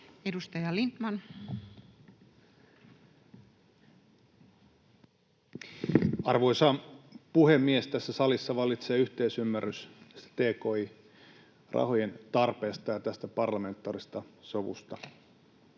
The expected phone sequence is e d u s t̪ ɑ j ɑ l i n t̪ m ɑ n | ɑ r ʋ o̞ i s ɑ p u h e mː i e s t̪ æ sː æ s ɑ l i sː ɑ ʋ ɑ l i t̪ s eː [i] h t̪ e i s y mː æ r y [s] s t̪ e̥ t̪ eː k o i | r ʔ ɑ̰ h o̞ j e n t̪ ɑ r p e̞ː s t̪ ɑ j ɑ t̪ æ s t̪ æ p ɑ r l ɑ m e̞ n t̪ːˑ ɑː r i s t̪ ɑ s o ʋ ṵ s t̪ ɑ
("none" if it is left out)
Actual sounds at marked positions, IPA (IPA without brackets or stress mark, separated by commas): y, s